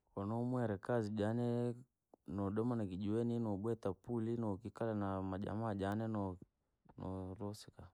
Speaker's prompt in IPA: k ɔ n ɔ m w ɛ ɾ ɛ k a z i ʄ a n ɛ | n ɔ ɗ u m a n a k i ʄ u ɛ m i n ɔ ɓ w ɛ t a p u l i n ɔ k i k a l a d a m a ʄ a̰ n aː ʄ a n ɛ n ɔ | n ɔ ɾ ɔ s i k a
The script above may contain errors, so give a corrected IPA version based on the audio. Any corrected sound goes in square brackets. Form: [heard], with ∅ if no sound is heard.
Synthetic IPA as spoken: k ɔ n ɔ m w ɛ ɾ ɛ k a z i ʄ a n ɛ | n ɔ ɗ [ɔ] m a n a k i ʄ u ɛ [n] i n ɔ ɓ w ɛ t a p u l i n ɔ k i k a l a [n] a m a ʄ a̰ [m] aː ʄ a n ɛ n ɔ | n ɔ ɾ ɔ s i k a